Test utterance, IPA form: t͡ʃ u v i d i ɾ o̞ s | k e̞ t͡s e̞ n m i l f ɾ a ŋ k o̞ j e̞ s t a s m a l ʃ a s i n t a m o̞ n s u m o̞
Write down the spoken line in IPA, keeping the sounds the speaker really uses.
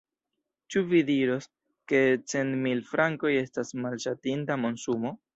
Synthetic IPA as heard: t͡ʃ u v i d i ɾ o̞ s | k e̞ t͡s e̞ n m i l f ɾ a ŋ k o̞ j e̞ s t a s m a l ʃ a t i n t a m o̞ n s u m o̞